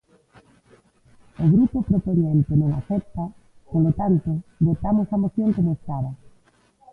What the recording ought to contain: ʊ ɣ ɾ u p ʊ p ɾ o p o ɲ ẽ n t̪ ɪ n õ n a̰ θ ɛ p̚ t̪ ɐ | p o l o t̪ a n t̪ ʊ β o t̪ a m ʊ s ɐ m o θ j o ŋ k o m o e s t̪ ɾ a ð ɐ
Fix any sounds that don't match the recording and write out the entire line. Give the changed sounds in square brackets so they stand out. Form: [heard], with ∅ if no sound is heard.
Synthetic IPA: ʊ ɣ ɾ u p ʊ p ɾ o p o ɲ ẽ n t̪ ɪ n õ [ŋ] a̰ θ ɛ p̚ t̪ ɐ | p o l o t̪ a n t̪ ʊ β o t̪ a m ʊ s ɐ m o θ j o ŋ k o m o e s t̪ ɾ a ð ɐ